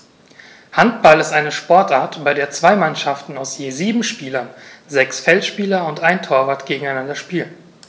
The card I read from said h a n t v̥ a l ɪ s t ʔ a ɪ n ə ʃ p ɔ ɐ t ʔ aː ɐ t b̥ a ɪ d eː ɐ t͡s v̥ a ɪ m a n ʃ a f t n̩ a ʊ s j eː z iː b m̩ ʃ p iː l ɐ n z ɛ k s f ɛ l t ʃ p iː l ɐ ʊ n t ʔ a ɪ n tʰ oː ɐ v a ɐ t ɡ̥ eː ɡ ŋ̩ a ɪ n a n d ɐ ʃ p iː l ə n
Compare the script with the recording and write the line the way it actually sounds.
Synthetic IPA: h a n t b̥ a l ɪ s t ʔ a ɪ n ə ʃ p ɔ ɐ t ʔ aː ɐ t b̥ a ɪ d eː ɐ t͡s v̥ a ɪ m a n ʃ a f t n̩ a ʊ s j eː z iː b m̩ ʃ p iː l ɐ n z ɛ k s f ɛ l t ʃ p iː l ɐ ʊ n t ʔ a ɪ n tʰ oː ɐ v a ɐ t ɡ̥ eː ɡ ŋ̩ a ɪ n a n d ɐ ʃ p iː l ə n